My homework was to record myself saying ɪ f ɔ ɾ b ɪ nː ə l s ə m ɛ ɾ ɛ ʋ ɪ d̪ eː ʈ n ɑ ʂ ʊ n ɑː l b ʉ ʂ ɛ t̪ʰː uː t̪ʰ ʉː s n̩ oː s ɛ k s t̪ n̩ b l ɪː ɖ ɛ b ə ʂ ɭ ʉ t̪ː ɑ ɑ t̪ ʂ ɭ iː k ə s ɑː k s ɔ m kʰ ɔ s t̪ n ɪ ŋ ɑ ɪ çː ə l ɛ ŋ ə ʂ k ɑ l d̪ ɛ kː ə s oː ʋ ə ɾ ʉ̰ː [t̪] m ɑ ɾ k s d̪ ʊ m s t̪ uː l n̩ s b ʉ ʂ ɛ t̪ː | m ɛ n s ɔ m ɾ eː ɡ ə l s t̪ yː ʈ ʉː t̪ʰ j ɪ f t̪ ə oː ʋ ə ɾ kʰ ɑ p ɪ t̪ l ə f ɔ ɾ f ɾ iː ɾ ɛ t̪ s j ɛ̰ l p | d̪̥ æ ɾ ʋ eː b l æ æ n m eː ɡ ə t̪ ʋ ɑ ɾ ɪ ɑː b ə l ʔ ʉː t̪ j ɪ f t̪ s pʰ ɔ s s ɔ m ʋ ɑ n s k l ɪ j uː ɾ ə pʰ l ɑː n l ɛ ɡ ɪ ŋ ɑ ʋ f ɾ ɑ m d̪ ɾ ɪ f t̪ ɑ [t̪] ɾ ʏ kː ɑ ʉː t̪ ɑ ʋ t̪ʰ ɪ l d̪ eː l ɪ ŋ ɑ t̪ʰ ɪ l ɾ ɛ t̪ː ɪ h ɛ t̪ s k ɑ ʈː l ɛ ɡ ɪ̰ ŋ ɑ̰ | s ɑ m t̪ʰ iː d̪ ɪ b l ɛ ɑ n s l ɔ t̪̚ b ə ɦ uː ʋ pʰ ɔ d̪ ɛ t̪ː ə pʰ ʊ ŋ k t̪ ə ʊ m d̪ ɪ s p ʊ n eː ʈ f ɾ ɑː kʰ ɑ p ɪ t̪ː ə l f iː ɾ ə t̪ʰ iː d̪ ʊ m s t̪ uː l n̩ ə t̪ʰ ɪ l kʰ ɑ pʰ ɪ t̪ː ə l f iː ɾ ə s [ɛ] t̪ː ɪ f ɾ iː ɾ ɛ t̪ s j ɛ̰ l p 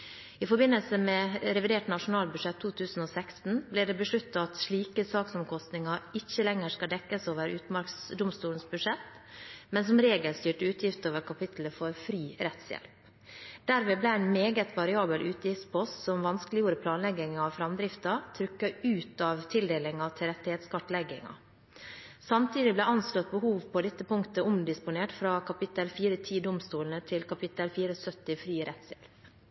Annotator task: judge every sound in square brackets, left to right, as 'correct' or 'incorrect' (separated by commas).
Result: correct, incorrect, incorrect